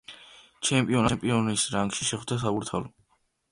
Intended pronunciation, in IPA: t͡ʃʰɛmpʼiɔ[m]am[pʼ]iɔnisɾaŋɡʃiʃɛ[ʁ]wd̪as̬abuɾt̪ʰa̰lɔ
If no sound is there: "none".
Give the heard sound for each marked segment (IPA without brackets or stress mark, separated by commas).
n, pʼ, χ